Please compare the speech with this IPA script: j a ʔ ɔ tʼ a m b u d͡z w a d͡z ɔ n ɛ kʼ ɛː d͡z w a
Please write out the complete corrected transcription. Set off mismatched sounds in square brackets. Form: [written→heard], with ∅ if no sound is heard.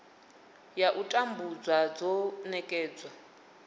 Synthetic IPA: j a ʔ [ɔ→u] tʼ a m b u d͡z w a d͡z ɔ n ɛ kʼ ɛː d͡z w a